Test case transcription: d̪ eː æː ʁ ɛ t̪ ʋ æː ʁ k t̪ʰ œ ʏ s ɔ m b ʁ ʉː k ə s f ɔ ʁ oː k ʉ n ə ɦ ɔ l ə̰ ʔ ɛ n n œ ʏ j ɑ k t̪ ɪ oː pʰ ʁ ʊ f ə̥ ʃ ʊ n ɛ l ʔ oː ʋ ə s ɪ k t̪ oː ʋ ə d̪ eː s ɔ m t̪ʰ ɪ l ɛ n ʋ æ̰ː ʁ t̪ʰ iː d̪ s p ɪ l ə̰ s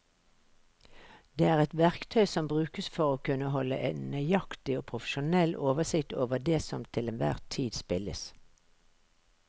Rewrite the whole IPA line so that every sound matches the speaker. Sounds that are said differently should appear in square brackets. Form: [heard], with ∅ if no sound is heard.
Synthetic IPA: d̪ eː æː ʁ ɛ t̪ ʋ [æ] ʁ k t̪ʰ œ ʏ s ɔ m b ʁ ʉː k ə s f ɔ ʁ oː k ʉ n ə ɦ ɔ l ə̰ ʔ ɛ n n œ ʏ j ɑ k t̪ ɪ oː pʰ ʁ ʊ f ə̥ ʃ ʊ n ɛ l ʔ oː ʋ ə s ɪ k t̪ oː ʋ ə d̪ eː s ɔ m t̪ʰ ɪ l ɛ n ʋ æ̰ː ʁ t̪ʰ iː d̪ s p ɪ l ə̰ s